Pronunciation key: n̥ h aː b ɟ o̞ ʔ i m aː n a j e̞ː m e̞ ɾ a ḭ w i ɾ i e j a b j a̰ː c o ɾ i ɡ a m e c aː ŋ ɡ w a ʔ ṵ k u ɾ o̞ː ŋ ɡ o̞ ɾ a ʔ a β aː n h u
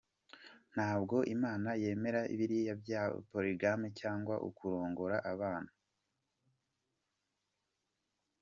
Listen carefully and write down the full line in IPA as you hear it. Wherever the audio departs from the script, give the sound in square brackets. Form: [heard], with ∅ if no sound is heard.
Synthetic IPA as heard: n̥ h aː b [ɡ] o̞ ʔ i m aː n a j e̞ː m e̞ ɾ a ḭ [β] i ɾ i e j a b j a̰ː [p] o ɾ i ɡ a m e c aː ŋ ɡ w a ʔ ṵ k u ɾ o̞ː ŋ ɡ o̞ ɾ a ʔ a β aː n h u